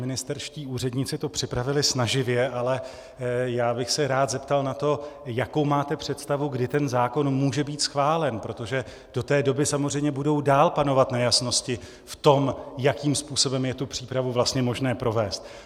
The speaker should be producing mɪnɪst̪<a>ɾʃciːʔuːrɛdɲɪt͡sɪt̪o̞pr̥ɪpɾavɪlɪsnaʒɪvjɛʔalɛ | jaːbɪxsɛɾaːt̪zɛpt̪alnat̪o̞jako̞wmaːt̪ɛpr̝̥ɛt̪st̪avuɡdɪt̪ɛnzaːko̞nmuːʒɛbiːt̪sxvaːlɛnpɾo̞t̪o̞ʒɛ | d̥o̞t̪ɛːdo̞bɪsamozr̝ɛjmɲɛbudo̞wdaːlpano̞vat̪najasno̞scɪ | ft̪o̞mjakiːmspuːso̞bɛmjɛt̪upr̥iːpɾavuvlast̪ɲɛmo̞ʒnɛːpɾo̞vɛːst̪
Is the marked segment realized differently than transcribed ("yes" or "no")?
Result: yes